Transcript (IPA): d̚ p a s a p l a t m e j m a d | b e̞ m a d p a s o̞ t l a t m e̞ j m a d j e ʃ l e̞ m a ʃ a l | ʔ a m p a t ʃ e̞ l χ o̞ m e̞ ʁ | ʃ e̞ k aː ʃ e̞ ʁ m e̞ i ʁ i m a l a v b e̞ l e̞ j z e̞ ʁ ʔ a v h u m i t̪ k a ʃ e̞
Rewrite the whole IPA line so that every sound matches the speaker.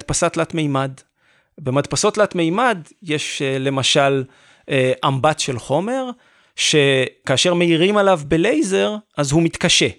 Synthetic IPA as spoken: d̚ p a s a t l a t m e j m a d | b e̞ m a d p a s o̞ t l a t m e̞ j m a d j e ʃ l e̞ m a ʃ a l | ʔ a m b a t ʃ e̞ l χ o̞ m e̞ ʁ | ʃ e̞ k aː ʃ e̞ ʁ m e̞ i ʁ i m a l a v b e̞ l e̞ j z e̞ ʁ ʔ a z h u m i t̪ k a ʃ e̞